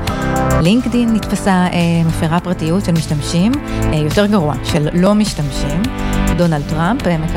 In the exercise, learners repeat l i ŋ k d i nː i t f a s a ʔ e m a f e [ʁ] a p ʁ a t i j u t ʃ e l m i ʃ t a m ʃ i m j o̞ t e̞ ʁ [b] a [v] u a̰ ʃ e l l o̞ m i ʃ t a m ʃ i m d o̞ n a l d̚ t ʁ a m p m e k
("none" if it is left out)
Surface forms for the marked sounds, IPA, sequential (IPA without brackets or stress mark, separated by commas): ʁ, ɡ, ʁ